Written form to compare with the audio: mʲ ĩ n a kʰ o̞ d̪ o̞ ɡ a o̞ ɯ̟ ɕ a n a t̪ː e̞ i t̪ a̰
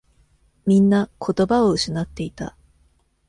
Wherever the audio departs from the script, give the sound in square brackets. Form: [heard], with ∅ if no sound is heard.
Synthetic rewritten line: mʲ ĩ [nː] a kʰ o̞ [t̪] o̞ [b] a o̞ ɯ̟ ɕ [i] n a t̪ː e̞ i t̪ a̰